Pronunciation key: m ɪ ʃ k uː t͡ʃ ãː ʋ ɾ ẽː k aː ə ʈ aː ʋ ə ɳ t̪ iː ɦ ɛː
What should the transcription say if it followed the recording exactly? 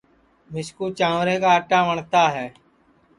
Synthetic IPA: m ɪ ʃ k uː t͡ʃ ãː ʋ ɾ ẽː k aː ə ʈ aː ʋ ə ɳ t̪ aː ɦ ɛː